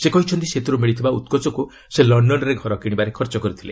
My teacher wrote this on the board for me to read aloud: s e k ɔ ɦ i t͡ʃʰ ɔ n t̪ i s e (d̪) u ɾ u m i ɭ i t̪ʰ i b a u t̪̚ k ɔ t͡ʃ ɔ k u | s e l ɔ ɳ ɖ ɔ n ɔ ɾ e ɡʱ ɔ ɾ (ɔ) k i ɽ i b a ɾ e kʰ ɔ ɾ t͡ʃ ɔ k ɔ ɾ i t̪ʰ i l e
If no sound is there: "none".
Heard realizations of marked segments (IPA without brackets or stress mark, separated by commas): t̪, ɔ